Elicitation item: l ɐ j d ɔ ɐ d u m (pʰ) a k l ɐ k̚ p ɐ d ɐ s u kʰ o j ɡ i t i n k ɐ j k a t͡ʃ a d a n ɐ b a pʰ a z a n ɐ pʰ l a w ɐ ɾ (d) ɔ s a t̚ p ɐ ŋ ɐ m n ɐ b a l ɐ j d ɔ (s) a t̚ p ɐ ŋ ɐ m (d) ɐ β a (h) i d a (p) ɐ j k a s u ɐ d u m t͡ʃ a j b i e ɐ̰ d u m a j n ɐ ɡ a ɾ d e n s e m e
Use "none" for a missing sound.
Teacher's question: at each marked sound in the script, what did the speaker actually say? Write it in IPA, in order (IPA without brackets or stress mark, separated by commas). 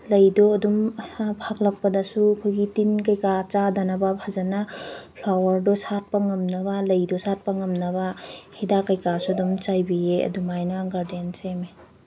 pʰ, d, s, n, h, k